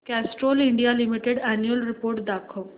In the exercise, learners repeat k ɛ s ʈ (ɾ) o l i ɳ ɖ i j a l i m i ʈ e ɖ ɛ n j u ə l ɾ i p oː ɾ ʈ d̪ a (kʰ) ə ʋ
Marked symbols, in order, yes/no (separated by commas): yes, yes